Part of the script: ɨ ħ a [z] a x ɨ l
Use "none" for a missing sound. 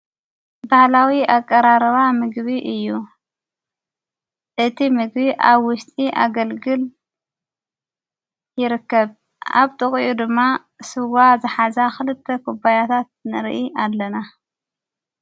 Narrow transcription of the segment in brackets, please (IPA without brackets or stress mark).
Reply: z